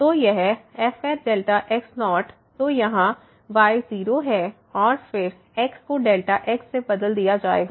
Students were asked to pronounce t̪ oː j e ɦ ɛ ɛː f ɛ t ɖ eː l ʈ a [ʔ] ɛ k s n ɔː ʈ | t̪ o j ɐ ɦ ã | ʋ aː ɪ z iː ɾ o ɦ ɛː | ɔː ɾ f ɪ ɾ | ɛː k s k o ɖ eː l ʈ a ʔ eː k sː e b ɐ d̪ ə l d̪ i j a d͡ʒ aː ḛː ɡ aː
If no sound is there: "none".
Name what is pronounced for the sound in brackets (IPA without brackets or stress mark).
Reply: ʔ